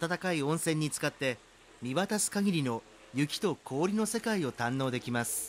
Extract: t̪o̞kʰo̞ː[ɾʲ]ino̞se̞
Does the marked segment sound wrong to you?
no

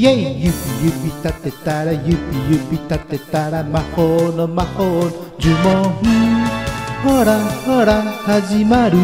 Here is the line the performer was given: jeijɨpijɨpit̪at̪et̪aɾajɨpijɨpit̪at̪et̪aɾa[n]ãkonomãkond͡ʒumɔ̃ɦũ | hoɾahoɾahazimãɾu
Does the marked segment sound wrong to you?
yes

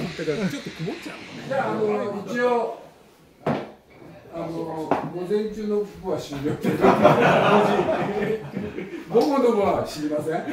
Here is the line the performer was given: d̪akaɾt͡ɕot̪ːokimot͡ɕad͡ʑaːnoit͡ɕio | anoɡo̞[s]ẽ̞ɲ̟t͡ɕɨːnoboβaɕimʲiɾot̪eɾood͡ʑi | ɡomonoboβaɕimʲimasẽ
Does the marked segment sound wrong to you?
yes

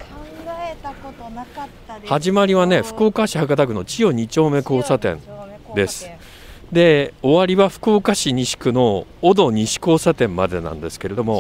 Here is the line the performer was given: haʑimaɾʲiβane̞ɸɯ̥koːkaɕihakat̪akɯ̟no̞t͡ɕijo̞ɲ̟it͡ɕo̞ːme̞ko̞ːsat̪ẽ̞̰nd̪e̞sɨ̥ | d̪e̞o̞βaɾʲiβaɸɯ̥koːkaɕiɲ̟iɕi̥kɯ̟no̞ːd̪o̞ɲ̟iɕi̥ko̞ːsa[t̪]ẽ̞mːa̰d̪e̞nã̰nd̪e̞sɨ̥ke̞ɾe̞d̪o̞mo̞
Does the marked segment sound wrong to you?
no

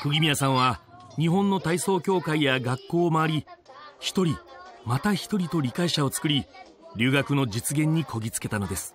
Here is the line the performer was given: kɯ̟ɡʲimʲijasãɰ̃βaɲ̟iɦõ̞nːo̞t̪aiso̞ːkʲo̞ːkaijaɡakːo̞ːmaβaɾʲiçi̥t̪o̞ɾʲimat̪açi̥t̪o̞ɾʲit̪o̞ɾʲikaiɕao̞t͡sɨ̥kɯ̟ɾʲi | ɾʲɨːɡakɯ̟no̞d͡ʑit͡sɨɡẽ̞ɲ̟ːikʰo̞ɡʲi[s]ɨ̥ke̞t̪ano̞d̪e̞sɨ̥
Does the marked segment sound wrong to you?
yes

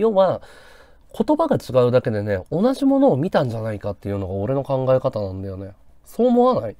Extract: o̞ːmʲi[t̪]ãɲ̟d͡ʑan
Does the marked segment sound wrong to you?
no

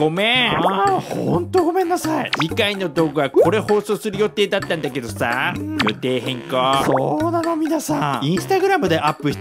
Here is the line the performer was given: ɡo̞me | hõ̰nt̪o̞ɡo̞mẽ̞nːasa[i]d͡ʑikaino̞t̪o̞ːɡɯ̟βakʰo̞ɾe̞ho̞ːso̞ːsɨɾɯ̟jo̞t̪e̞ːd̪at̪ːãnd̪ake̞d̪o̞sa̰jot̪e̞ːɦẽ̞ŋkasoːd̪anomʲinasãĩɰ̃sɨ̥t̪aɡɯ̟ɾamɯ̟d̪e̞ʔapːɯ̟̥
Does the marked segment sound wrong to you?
no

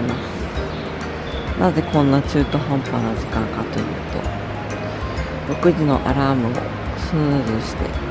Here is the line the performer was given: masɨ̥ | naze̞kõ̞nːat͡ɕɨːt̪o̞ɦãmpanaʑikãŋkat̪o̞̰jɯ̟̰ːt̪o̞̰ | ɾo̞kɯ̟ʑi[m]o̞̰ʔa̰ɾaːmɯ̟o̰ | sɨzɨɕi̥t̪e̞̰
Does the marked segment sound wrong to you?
yes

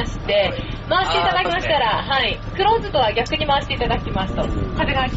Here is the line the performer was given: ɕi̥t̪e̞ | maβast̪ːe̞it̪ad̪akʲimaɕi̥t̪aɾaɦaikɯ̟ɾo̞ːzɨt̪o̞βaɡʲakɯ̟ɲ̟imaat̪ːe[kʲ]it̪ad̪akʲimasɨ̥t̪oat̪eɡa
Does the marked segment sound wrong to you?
yes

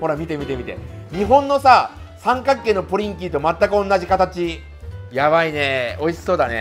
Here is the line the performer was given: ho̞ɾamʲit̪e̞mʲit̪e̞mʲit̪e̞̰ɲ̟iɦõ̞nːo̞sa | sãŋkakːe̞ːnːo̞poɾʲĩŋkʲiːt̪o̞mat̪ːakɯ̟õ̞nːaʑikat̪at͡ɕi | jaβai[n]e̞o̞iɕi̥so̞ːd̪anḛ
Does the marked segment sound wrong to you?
no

